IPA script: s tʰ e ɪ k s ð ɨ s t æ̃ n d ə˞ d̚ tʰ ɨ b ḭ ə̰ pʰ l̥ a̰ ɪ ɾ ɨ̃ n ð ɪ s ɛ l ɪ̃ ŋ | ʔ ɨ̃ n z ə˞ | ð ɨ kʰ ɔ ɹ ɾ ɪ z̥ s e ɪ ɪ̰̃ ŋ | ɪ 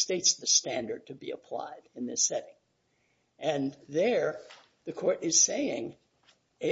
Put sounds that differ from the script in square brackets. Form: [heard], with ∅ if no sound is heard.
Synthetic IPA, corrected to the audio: s [t] e ɪ [t] s ð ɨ s t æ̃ n d ə˞ d̚ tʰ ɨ b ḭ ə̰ pʰ l̥ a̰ ɪ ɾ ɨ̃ n ð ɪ s ɛ [ɾ] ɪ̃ ŋ | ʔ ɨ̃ n [ð] ə˞ | ð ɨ kʰ ɔ ɹ ɾ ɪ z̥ s e ɪ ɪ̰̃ ŋ | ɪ